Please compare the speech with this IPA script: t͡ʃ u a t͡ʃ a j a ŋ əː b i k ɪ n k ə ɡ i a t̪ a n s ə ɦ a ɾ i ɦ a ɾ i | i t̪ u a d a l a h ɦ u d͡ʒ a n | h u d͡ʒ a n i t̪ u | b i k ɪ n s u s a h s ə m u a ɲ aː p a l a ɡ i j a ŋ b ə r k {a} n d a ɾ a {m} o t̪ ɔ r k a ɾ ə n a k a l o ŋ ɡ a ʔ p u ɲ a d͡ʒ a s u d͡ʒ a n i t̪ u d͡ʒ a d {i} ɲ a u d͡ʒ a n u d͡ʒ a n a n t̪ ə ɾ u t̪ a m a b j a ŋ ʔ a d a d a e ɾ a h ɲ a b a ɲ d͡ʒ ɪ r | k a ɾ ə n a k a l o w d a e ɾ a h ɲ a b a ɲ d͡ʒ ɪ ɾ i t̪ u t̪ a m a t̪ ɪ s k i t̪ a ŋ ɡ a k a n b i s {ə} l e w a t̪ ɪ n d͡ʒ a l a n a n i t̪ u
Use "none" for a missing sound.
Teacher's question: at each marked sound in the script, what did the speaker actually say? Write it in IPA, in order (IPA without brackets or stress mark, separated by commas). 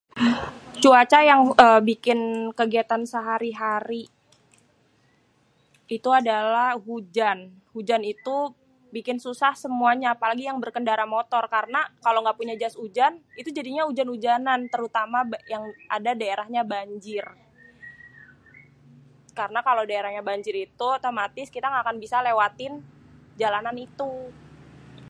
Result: ə, m, i, a